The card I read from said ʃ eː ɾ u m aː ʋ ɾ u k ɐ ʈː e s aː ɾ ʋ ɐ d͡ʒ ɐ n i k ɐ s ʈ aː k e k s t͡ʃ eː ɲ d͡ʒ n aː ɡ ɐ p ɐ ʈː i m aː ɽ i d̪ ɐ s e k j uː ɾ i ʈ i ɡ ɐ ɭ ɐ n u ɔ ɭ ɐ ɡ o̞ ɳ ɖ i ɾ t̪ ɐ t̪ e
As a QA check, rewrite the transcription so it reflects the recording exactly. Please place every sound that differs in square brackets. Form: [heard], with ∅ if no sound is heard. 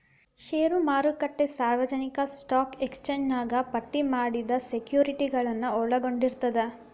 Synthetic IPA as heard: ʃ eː ɾ u m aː [∅] ɾ u k ɐ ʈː e s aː ɾ ʋ ɐ d͡ʒ ɐ n i k ɐ s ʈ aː k e k s t͡ʃ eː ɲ d͡ʒ n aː ɡ ɐ p ɐ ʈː i m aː ɽ i d̪ ɐ s e k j uː ɾ i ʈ i ɡ ɐ ɭ ɐ [nː] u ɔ ɭ ɐ ɡ o̞ ɳ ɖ i ɾ t̪ ɐ [d̪] e